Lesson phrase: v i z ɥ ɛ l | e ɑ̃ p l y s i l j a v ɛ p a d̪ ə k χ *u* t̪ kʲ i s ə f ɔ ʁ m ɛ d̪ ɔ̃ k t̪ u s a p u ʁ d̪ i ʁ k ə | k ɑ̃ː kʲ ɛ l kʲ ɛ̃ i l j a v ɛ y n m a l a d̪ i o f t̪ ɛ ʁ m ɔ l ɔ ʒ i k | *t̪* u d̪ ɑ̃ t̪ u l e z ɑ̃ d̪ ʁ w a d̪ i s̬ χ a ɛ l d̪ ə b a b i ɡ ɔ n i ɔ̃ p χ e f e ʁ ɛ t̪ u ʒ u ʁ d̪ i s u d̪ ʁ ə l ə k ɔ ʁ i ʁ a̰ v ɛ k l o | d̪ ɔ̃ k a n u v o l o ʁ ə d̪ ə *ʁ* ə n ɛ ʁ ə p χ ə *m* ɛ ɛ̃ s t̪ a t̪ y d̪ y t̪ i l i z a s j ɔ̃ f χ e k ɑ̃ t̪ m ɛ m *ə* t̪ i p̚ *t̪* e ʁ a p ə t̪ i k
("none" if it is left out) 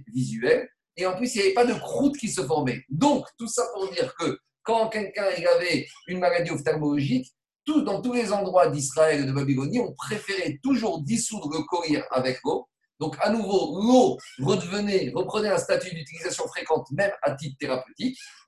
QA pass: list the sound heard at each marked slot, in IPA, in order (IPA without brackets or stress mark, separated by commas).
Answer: u, t̪, v, n, a, t̪